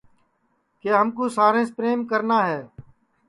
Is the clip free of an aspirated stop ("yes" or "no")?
yes